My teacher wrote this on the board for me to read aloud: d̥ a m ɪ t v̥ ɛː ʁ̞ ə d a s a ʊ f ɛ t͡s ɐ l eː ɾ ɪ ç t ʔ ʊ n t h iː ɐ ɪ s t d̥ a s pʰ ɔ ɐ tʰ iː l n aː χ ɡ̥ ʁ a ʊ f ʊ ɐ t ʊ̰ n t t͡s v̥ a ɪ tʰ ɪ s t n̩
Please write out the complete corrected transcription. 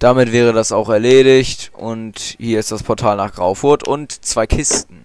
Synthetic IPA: d̥ a m ɪ t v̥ ɛː ʁ̞ ə d a s a ʊ x ɛ ɐ l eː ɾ ɪ ç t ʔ ʊ n t h iː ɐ ɪ s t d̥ a s pʰ ɔ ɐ tʰ aː l n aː χ ɡ̥ ʁ a ʊ f ʊ ɐ t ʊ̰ n t t͡s v̥ a ɪ kʰ ɪ s t n̩